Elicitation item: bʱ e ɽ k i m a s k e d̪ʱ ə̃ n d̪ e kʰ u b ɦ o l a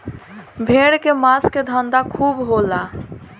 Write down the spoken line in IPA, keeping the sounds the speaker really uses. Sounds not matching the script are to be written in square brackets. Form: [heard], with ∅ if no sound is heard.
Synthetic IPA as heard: bʱ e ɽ k [e] m a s k e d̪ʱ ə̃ n d̪ [a] kʰ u b ɦ o l a